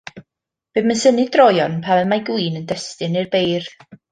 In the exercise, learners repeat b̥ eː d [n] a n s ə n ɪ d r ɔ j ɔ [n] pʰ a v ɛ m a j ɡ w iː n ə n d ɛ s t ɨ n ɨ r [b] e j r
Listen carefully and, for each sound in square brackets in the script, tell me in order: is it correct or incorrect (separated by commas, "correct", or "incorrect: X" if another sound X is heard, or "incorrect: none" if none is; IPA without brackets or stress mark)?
incorrect: m, correct, correct